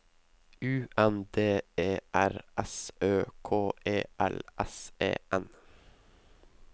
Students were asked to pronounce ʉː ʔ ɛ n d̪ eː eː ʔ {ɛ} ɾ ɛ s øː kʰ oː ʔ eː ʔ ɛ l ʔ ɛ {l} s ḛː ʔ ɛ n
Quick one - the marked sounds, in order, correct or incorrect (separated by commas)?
incorrect, incorrect